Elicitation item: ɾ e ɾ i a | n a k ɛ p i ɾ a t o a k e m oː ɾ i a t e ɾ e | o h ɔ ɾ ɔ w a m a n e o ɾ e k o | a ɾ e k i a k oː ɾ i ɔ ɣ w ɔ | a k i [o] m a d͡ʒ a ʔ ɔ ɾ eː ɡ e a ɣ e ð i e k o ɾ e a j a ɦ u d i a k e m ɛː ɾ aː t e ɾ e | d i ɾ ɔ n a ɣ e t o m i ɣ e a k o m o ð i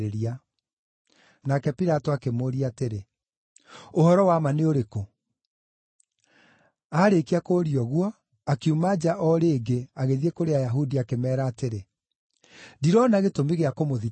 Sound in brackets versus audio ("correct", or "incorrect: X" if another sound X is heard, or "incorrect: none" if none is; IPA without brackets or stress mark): incorrect: u